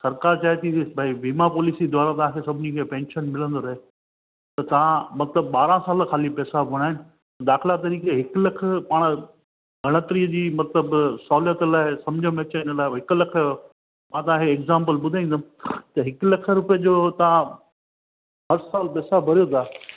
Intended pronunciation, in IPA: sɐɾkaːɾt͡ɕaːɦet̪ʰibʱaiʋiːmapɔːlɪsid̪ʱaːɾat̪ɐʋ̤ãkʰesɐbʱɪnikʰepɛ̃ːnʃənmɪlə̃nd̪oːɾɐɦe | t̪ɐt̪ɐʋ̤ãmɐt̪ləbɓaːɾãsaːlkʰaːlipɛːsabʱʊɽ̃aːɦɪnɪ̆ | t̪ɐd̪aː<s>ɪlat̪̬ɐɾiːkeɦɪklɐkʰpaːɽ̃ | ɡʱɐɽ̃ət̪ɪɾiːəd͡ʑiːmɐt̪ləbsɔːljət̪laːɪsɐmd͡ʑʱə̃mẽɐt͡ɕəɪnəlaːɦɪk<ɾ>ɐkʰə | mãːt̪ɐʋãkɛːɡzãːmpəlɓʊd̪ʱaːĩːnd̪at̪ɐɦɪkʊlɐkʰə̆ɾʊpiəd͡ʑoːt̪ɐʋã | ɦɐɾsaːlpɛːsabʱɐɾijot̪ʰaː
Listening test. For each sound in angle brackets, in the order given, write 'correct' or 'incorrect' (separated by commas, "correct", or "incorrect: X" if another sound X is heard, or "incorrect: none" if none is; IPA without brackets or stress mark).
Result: incorrect: x, incorrect: l